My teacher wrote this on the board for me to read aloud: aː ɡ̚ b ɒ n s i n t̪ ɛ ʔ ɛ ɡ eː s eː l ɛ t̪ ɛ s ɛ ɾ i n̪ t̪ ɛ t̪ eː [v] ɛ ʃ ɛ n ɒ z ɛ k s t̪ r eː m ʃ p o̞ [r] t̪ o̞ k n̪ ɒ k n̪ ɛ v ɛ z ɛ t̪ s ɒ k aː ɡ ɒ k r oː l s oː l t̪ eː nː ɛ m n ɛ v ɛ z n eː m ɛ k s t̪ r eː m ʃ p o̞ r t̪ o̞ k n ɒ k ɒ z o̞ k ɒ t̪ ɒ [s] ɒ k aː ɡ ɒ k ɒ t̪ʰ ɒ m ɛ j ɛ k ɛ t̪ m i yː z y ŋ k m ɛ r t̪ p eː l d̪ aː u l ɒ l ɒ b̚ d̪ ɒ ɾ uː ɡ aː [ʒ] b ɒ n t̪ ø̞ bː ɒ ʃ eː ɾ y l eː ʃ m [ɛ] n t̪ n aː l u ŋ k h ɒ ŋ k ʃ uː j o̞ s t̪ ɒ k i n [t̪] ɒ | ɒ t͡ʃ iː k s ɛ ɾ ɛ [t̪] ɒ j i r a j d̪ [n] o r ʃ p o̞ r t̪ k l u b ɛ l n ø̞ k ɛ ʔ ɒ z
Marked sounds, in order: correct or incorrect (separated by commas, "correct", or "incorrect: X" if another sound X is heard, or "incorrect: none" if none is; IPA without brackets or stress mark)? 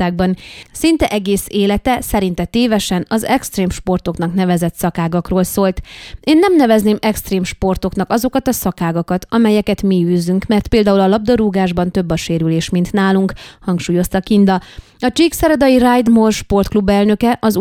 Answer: correct, correct, correct, correct, incorrect: i, incorrect: d̪, incorrect: d̪, incorrect: m